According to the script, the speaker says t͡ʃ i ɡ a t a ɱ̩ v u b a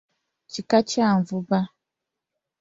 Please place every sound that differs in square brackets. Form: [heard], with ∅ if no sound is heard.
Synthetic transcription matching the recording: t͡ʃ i [k] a [t͡ʃ] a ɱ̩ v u b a